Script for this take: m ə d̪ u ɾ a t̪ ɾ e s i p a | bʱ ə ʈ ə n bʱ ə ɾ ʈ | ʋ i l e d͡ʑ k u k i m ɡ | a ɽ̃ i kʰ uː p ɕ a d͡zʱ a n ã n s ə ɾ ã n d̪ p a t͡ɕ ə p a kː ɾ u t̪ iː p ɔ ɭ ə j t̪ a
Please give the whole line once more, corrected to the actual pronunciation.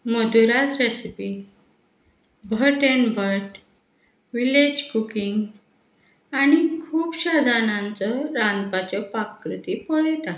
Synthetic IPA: m ə d̪ u ɾ a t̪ ɾ e s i p i | bʱ ə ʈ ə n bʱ ə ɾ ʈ | ʋ i l e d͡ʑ k u k i ŋ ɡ | a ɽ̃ i kʰ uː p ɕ a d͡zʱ a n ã n t͡s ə ɾ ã n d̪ p a t͡ɕ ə p a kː ɾ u t̪ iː p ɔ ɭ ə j t̪ a